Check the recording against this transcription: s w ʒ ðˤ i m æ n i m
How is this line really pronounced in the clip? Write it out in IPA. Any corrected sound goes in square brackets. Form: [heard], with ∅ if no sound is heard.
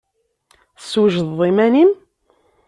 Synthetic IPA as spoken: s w ʒ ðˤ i m æ n i m